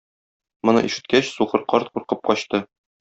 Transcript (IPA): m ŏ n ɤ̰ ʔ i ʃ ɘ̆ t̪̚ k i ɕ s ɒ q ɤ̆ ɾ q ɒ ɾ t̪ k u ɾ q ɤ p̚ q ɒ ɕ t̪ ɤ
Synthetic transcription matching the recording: m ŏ n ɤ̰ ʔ i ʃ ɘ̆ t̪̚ k æ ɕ s u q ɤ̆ ɾ q ɒ ɾ t̪ q u ɾ q ɤ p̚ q ɒ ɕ t̪ ɤ